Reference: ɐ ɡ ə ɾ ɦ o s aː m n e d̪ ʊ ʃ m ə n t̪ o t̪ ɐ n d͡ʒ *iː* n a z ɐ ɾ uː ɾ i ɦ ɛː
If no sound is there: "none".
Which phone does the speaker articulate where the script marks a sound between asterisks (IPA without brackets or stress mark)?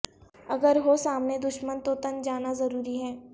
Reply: aː